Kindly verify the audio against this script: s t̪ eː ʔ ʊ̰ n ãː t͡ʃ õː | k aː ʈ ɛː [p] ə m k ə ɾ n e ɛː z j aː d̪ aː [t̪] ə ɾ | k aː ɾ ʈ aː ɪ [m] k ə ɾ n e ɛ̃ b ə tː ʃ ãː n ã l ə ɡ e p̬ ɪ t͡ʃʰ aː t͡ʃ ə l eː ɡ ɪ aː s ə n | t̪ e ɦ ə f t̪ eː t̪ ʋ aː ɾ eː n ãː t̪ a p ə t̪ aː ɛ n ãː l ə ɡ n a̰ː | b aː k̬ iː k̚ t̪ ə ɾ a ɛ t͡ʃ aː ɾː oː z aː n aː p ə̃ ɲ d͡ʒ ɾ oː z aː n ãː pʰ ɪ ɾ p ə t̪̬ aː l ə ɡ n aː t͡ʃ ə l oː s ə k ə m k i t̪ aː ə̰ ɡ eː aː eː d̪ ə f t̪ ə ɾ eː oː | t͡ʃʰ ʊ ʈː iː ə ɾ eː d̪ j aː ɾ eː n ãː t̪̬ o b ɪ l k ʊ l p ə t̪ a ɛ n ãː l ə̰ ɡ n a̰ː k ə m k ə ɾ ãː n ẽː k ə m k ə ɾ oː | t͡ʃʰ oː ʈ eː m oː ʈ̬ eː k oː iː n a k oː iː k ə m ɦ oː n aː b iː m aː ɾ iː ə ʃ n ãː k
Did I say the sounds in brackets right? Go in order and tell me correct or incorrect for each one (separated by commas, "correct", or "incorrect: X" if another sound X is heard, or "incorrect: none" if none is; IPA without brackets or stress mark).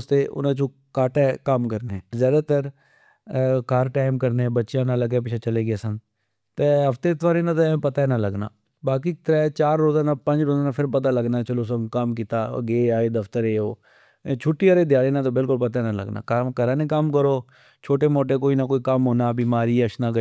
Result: incorrect: k, correct, correct